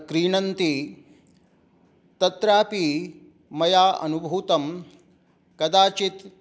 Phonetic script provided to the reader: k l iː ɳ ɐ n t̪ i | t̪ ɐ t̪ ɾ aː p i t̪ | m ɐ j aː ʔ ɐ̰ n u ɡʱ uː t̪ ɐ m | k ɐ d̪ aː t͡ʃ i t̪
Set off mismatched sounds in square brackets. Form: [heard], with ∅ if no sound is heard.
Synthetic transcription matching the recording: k [ɾ] iː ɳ ɐ n t̪ i | t̪ ɐ t̪ ɾ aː p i [∅] | m ɐ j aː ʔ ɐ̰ n u [bʱ] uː t̪ ɐ m | k ɐ d̪ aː t͡ʃ i t̪